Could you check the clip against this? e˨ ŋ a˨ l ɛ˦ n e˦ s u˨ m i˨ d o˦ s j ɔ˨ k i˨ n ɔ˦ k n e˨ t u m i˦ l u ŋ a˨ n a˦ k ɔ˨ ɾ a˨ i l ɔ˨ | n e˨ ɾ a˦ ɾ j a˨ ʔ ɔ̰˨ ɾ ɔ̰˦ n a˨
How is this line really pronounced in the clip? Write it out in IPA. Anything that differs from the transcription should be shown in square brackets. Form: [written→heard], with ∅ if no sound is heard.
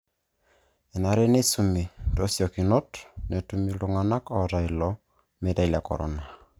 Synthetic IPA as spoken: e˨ [ŋ→n] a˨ [l→ɾ] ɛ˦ n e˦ s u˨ m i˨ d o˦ s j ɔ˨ k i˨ n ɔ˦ [k→t] n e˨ t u m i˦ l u ŋ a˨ n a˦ k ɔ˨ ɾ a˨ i l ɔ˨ | [n→m] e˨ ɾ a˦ [ɾ→l] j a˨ [ʔ→k] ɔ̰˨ ɾ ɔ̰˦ n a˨